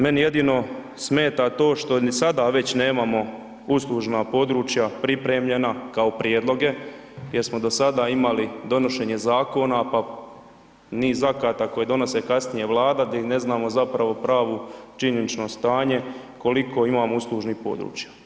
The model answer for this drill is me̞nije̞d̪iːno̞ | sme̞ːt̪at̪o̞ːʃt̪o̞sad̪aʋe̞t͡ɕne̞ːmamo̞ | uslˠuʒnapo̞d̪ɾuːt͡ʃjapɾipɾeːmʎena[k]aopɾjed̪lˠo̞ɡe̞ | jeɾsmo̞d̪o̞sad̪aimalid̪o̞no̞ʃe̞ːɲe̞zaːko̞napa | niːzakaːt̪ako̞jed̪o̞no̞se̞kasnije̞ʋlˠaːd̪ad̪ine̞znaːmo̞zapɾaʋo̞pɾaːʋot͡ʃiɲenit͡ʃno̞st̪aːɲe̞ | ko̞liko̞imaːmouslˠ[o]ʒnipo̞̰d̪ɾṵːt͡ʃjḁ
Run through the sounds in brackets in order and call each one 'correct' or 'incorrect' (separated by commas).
correct, incorrect